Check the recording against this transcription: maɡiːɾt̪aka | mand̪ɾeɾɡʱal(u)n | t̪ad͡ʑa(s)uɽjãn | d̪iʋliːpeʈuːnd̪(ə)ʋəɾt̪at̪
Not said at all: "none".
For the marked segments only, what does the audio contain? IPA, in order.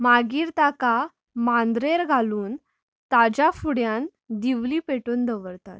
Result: uː, f, ə

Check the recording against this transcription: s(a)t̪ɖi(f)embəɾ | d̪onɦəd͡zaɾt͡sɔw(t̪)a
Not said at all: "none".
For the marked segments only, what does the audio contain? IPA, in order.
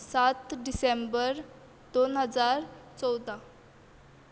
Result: a, s, d̪

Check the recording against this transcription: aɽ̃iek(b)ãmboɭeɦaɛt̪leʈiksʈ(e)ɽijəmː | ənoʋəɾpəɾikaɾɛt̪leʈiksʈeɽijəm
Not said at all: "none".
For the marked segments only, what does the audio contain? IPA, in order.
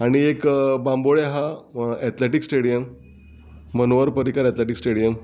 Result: b, e

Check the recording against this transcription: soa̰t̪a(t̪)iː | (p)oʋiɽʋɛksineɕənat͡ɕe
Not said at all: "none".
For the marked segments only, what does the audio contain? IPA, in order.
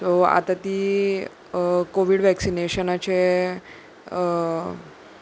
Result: t̪, k

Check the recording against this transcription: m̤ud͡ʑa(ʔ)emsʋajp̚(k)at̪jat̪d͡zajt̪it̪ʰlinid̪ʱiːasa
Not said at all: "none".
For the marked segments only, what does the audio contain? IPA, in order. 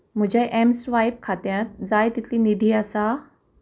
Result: ʔ, kʰ

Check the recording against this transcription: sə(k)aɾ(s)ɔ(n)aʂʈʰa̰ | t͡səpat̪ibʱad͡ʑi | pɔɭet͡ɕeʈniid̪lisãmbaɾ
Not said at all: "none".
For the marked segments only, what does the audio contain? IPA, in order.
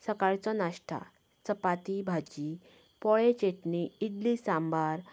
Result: k, t͡s, n

